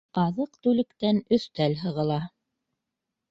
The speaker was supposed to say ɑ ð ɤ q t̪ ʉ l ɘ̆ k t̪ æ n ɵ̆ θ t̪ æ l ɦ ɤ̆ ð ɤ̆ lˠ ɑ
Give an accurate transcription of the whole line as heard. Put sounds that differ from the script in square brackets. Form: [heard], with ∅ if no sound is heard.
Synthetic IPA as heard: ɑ ð ɤ q t̪ ʉ l ɘ̆ k t̪ æ n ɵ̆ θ t̪ æ l ɦ ɤ̆ [ʁ] ɤ̆ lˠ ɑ